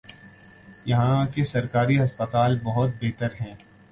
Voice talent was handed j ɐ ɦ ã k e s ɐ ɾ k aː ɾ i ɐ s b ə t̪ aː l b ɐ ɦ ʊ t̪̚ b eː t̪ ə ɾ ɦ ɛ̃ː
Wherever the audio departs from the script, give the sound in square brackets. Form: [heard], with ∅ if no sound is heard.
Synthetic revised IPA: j ɐ ɦ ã k e s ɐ ɾ k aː ɾ i ɐ s [p] ə t̪ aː l b ɐ ɦ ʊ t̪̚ b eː t̪ ə ɾ ɦ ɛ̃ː